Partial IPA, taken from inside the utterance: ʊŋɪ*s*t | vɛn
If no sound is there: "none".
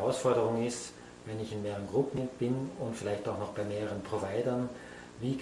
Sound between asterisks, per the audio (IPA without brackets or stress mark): s